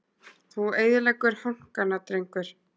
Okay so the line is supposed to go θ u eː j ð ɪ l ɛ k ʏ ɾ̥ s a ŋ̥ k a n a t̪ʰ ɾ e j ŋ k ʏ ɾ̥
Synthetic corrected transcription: θ u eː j ð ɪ l ɛ k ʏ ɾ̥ h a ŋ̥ k a n a t̪ ɾ e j ŋ k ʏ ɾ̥